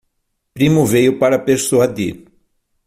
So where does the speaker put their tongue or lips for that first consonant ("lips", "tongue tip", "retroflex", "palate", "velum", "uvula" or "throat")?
lips